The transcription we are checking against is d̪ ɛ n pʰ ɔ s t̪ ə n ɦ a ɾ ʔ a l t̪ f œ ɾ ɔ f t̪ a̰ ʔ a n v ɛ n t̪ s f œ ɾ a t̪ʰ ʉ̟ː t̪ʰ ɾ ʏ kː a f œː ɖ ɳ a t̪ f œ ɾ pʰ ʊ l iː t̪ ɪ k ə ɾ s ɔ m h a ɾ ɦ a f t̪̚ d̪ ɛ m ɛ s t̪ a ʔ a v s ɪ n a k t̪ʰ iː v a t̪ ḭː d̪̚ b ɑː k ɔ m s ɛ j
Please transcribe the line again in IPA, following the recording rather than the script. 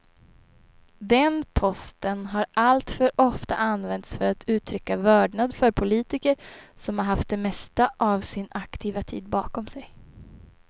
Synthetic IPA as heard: d̪ ɛ n pʰ ɔ s t̪ ə n ɦ a ɾ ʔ a l t̪ f œ ɾ ɔ f t̪ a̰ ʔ a n v ɛ n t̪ s f œ ɾ a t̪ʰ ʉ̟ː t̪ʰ ɾ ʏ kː a v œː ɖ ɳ a d̪ f œ ɾ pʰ ʊ l iː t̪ ɪ k ə ɾ s ɔ m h a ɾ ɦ a f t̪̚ d̪ ɛ m ɛ s t̪ a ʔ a v s ɪ n a k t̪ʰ iː v a t̪ʰ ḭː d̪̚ b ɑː k ɔ m s ɛ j